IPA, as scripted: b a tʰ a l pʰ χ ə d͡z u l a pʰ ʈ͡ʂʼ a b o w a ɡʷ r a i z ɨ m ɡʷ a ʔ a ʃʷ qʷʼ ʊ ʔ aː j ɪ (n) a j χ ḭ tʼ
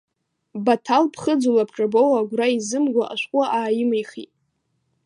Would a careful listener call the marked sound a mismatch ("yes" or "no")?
yes